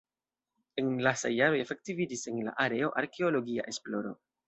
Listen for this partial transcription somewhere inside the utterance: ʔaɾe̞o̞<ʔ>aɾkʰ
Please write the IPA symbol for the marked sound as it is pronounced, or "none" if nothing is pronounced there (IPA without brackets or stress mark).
ʔ